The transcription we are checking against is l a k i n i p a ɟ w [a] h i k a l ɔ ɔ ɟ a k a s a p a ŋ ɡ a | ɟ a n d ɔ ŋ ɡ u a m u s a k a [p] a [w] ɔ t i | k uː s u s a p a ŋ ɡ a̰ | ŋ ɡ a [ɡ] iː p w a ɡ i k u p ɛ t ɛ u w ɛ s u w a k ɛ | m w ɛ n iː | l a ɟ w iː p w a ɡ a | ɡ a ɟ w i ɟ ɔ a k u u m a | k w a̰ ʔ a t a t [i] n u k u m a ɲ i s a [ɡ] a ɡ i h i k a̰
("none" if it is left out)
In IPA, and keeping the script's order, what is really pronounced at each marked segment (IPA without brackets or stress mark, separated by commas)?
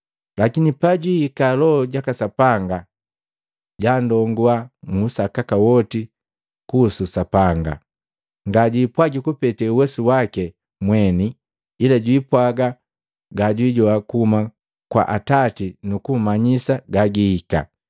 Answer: i, k, w, ɟ, i, ɡ